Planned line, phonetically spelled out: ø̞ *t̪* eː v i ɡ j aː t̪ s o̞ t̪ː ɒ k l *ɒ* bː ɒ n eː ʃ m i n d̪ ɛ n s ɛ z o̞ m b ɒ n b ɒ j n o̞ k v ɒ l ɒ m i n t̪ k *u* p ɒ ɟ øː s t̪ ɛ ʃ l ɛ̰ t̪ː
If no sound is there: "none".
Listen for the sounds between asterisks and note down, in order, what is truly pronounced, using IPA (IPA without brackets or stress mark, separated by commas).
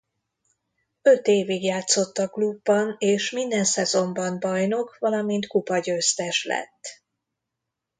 t̪, u, u